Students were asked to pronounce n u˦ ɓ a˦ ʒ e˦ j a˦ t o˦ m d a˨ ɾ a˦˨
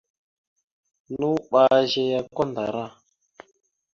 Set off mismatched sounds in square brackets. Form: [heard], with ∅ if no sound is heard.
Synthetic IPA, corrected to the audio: n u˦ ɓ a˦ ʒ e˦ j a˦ [k] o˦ [n] d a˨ ɾ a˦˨